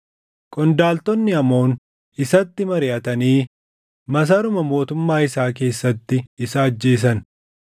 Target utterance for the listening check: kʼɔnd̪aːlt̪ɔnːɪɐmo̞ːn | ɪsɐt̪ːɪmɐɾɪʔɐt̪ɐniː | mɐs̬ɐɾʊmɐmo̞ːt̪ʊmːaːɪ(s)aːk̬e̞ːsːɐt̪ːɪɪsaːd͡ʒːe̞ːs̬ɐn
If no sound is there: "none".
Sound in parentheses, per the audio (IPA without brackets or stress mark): s